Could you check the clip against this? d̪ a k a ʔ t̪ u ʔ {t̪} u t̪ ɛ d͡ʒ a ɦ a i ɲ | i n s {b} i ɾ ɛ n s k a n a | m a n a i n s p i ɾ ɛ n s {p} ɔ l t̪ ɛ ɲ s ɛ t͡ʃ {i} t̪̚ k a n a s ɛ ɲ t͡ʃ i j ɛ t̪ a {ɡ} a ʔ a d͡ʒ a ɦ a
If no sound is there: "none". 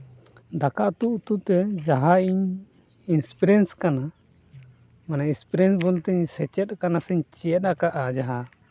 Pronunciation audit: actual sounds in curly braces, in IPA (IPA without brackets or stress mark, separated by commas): t̪, p, b, ɛ, k